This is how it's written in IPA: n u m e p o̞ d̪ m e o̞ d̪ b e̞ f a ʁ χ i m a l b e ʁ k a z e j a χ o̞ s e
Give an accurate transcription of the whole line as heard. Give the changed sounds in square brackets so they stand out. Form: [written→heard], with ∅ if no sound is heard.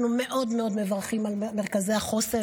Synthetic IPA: n u m e [p→ʔ] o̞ d̪ m e o̞ d̪ [b→m] e̞ [f→v] a ʁ χ i m a l [b→m] e ʁ k a z e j a χ o̞ s e